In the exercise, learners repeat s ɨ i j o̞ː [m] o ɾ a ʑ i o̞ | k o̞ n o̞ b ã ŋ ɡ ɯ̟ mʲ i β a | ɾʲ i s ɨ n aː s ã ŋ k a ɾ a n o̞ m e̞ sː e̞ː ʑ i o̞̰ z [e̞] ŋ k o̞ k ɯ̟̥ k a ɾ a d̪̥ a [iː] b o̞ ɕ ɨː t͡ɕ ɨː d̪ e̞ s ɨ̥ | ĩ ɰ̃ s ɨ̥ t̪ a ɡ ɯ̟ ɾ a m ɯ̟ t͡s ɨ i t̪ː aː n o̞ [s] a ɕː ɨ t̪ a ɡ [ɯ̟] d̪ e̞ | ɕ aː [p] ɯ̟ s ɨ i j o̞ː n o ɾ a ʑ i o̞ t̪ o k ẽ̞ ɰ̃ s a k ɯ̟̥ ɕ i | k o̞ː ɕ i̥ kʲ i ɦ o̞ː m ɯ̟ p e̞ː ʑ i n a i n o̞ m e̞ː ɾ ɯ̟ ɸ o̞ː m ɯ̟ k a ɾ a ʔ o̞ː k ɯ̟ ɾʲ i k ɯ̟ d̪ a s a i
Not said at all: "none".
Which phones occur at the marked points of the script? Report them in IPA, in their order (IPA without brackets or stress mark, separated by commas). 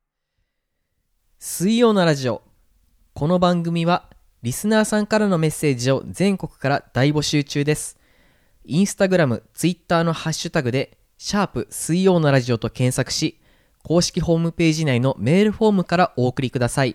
n, ẽ̞, i, h, ɯ̟, p